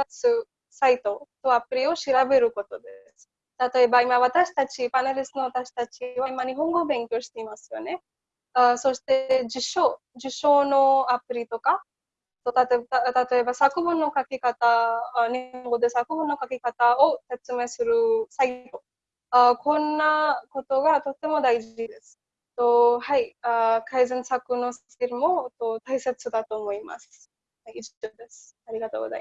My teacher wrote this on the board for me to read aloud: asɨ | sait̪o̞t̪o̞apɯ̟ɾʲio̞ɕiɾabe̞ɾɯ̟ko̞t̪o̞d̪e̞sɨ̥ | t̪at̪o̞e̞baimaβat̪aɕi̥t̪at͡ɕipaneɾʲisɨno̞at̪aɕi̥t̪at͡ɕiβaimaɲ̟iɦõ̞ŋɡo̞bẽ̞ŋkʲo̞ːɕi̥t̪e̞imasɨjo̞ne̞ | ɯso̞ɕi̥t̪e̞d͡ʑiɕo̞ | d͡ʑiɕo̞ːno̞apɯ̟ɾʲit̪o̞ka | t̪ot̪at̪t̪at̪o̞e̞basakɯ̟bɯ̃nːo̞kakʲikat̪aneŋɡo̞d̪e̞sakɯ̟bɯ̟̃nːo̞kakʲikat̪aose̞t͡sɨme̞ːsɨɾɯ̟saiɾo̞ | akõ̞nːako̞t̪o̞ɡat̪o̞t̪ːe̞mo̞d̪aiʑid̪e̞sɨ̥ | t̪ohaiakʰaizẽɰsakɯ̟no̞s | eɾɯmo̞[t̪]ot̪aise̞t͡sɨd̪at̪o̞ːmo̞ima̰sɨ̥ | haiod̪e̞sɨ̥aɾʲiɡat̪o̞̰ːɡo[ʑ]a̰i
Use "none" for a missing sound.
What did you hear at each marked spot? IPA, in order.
t̪, z

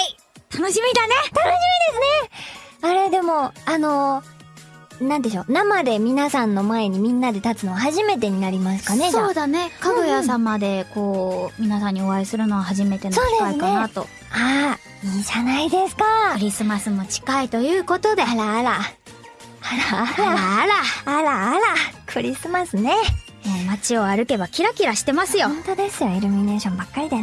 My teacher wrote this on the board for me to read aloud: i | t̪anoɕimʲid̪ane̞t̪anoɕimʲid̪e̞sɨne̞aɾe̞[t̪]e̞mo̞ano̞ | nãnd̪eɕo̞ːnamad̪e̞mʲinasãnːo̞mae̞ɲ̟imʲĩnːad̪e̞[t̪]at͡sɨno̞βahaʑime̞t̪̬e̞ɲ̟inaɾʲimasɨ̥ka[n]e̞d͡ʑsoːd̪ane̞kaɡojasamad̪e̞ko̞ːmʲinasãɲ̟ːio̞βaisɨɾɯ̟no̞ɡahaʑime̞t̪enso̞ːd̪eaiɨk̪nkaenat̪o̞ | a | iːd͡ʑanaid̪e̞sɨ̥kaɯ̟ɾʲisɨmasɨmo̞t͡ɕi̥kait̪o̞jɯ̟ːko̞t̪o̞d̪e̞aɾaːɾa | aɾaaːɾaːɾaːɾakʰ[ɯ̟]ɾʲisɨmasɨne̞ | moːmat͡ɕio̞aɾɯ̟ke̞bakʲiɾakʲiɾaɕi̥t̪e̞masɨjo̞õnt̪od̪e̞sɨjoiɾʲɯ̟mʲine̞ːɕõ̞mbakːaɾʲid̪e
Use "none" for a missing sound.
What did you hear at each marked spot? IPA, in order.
d̪, t̪, n, ɯ̟

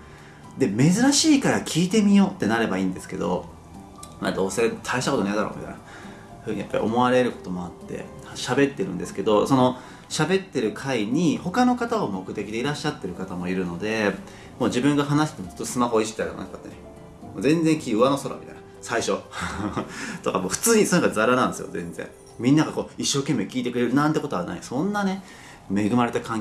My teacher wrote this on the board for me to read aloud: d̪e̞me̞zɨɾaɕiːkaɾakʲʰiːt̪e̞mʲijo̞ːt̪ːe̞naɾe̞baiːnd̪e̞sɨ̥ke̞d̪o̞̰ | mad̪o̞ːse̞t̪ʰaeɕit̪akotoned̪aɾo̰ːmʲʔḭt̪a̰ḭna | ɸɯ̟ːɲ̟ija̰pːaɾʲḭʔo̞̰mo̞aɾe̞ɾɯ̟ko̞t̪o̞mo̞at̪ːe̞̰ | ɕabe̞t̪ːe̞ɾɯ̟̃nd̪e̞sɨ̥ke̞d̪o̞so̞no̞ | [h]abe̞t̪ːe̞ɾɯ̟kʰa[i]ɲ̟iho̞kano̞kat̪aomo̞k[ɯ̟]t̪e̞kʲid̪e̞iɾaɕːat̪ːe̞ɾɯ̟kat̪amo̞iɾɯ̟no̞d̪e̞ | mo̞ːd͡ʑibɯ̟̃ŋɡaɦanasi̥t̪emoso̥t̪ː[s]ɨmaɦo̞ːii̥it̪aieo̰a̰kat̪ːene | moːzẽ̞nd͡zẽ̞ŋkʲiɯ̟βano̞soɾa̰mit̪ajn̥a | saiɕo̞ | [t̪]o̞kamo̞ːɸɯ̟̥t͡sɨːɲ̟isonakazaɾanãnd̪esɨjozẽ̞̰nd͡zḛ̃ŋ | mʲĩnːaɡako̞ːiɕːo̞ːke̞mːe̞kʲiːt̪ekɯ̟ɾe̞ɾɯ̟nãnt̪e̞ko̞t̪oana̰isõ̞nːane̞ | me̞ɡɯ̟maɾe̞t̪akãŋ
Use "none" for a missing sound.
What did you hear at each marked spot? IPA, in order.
ɕ, i, ɯ̟, s, t̪

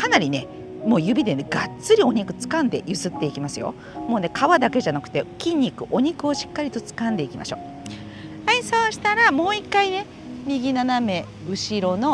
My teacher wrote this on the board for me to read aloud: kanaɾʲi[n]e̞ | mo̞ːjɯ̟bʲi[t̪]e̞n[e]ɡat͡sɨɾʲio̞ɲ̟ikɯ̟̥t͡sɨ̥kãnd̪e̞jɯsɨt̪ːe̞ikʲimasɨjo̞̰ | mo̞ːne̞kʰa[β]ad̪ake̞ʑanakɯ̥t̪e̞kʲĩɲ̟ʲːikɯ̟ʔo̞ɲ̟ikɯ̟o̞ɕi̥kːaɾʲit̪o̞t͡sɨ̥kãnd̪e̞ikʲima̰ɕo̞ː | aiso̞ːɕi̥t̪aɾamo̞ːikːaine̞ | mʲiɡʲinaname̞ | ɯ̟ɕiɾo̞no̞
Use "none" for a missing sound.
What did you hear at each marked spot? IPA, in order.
n, d̪, e, β

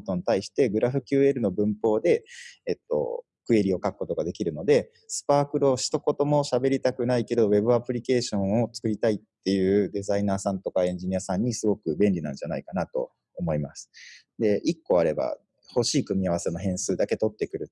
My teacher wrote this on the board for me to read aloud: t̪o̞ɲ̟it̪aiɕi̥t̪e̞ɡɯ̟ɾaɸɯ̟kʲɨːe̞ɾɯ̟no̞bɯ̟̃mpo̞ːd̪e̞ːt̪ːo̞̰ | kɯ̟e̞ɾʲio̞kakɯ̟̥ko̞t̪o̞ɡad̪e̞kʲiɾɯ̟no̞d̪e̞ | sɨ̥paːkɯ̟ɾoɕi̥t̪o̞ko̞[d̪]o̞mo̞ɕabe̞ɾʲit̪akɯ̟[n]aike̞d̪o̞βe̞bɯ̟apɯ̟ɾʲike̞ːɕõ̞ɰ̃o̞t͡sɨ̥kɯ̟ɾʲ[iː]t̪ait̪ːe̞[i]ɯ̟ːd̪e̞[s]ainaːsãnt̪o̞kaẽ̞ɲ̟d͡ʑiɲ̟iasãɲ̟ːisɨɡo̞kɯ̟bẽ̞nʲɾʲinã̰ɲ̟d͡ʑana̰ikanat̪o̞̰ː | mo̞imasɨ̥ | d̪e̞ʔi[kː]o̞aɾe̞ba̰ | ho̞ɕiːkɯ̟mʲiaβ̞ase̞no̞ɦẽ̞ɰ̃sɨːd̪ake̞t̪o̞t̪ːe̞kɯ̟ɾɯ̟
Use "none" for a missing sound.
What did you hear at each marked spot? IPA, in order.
t̪, n, i, j, z, kː

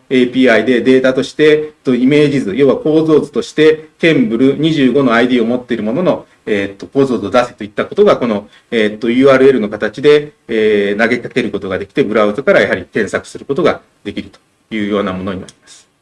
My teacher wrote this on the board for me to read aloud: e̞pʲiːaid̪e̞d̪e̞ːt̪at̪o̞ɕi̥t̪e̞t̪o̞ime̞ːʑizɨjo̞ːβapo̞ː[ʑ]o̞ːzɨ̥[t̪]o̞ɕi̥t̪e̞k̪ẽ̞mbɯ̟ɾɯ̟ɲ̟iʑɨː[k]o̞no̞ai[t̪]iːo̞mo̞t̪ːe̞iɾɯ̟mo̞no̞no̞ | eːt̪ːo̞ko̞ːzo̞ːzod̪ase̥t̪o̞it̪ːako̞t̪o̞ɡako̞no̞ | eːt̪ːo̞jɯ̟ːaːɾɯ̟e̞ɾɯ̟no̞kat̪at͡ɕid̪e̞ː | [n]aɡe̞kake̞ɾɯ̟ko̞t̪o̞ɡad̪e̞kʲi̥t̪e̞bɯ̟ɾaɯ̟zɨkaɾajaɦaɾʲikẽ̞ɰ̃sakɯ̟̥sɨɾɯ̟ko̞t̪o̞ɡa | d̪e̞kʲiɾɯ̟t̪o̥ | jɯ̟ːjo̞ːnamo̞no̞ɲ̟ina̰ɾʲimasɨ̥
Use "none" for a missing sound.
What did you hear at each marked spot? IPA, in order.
z, t̪, ɡ, d̪, n

